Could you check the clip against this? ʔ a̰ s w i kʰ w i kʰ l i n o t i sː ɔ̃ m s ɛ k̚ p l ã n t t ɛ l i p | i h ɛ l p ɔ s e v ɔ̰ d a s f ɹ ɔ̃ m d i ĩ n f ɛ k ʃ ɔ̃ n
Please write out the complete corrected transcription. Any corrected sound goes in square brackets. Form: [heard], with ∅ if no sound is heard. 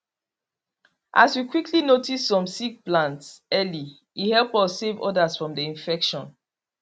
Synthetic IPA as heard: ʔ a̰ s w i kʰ w i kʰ l i n o t i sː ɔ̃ m s [i] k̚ p l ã n t [s] ɛ l i [∅] | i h ɛ l p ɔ s e v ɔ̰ d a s f ɹ ɔ̃ m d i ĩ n f ɛ k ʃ ɔ̃ n